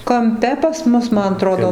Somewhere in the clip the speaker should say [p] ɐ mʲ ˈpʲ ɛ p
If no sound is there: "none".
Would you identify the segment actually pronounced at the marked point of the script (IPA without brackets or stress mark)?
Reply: k